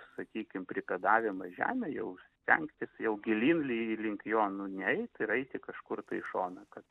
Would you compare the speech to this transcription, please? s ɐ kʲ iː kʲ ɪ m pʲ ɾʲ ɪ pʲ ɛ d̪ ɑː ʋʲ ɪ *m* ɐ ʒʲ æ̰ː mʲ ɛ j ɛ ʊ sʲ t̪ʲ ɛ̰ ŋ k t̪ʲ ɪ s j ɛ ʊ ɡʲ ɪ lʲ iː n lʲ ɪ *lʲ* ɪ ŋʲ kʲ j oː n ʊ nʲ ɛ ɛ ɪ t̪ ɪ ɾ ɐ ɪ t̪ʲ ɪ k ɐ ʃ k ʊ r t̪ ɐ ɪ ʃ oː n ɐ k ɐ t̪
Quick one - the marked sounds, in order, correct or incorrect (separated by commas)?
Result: correct, correct